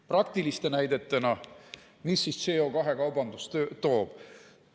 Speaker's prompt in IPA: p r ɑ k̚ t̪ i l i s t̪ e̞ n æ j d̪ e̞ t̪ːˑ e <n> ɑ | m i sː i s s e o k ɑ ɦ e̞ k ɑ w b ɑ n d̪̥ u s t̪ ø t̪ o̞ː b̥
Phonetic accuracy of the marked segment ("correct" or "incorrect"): correct